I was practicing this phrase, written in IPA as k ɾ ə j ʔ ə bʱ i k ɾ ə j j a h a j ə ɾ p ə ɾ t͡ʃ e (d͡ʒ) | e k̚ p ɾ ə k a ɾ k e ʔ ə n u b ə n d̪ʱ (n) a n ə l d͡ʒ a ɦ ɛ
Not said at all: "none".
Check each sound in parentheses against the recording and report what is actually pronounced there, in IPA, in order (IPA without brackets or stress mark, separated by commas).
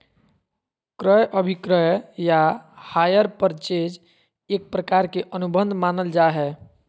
d͡ʒ, m